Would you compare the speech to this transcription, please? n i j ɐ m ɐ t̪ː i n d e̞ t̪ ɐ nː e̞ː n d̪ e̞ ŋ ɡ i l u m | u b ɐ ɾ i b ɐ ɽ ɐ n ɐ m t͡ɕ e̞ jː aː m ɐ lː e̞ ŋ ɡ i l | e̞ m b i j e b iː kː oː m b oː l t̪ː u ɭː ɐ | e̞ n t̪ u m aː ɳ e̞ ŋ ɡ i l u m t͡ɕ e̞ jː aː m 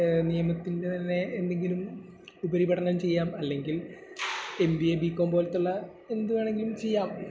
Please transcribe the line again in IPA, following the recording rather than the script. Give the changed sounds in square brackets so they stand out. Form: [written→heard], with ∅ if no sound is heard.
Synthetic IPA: n i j ɐ m ɐ t̪ː i n d e̞ t̪ ɐ nː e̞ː n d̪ e̞ ŋ ɡ i l u m | u b ɐ ɾ i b ɐ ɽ ɐ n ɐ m t͡ɕ e̞ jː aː m ɐ lː e̞ ŋ ɡ i l | e̞ m b i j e b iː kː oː m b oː l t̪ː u ɭː ɐ | e̞ n [t̪→d̪] u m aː ɳ e̞ ŋ ɡ i l u m t͡ɕ e̞ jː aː m